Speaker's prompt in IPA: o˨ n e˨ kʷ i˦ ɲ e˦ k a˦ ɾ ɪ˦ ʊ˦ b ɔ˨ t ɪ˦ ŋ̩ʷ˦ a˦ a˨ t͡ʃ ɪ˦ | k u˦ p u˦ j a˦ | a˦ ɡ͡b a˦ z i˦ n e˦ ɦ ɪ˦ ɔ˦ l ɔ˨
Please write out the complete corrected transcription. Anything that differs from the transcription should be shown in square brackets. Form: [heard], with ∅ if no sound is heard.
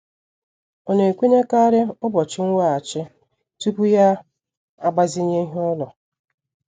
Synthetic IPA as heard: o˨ n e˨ kʷ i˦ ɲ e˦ k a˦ ɾ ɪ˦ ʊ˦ b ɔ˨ [t͡ʃ] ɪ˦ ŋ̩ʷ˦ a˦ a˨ t͡ʃ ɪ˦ | [t] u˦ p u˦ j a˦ | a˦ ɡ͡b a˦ z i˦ [ɲ] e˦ ɦ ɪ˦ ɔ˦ l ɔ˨